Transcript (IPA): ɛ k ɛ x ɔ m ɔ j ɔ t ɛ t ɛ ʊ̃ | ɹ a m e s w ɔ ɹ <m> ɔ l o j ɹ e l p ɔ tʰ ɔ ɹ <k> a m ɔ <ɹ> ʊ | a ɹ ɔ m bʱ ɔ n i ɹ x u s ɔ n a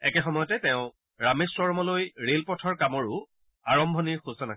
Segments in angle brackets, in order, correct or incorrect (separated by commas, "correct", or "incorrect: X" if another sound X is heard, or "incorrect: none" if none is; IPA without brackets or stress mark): correct, correct, correct